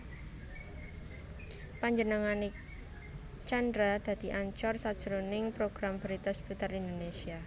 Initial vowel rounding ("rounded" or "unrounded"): unrounded